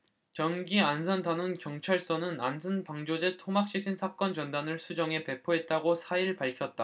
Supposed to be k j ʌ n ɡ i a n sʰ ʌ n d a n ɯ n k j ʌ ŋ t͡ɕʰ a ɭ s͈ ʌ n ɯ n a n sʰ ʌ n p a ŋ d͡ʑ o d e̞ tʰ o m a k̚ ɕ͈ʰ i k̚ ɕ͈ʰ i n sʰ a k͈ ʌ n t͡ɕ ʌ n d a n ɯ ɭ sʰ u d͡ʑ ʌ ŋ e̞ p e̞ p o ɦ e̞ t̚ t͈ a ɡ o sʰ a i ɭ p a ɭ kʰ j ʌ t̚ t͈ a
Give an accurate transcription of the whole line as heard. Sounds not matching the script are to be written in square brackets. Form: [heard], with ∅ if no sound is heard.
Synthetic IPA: k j ʌ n ɡ i a n sʰ ʌ n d a n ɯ n k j ʌ ŋ t͡ɕʰ a ɭ s͈ ʌ n ɯ n a n sʰ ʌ n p a ŋ d͡ʑ o [d͡ʑ] e̞ tʰ o m a k̚ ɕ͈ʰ i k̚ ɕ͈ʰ i n sʰ a k͈ ʌ n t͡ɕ ʌ n d a n ɯ ɭ sʰ u d͡ʑ ʌ ŋ e̞ p e̞ [pʰ] o ɦ e̞ t̚ t͈ a ɡ o sʰ a i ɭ p a ɭ kʰ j ʌ t̚ t͈ a